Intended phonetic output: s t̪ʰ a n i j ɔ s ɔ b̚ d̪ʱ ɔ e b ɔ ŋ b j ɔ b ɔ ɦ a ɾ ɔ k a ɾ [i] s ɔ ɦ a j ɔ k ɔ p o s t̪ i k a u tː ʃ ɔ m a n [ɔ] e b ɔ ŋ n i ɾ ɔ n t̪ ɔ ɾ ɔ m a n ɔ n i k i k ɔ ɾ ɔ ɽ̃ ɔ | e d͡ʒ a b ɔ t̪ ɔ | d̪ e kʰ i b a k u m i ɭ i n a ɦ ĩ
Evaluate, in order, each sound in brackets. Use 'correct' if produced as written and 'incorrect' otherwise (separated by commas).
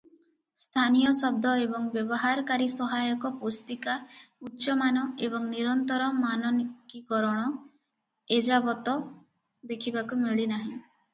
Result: correct, correct